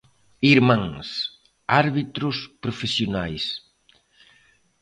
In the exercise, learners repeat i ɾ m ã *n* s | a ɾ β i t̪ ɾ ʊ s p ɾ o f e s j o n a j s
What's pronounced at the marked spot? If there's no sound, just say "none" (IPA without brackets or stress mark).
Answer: ŋ